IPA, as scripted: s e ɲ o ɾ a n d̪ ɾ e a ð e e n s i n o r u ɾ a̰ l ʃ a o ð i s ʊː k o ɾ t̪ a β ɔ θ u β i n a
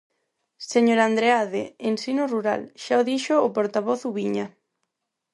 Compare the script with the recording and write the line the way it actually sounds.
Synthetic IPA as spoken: s e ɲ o ɾ a n d̪ ɾ e a ð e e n s i n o r u ɾ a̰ l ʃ a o ð i ʃ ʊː p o ɾ t̪ a β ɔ θ u β i ɲ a